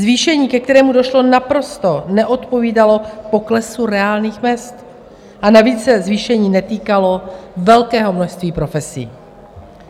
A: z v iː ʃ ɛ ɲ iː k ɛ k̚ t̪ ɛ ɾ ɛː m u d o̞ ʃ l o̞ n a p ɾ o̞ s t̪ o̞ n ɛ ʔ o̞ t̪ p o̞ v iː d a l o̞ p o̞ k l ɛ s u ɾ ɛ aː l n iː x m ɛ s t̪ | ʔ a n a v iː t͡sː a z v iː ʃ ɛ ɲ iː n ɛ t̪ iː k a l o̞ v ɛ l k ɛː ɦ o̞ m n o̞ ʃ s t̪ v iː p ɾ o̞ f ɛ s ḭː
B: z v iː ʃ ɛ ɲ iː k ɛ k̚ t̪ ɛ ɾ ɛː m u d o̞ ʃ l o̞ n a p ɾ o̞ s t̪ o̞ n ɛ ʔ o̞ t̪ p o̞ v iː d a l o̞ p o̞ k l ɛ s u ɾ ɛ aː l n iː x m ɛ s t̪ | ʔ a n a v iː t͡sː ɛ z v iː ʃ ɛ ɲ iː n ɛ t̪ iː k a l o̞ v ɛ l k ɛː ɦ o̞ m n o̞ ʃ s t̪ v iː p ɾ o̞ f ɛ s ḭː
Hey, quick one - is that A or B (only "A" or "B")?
B